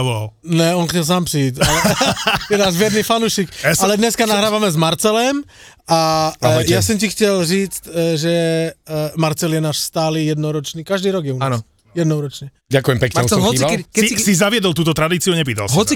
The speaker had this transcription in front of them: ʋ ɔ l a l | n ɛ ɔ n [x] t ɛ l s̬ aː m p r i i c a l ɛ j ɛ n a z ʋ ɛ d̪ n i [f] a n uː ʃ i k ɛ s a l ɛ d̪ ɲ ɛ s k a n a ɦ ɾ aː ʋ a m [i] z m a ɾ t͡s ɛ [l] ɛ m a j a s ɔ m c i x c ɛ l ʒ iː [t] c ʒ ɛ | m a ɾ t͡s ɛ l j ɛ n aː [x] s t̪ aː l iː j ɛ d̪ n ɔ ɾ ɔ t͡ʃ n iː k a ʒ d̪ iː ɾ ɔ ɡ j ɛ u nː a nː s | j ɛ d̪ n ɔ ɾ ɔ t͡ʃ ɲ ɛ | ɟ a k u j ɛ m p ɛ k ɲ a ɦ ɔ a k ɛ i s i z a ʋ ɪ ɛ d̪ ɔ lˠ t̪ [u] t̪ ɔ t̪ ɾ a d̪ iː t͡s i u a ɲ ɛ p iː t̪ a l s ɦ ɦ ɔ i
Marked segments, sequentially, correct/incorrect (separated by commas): correct, correct, incorrect, correct, incorrect, incorrect, incorrect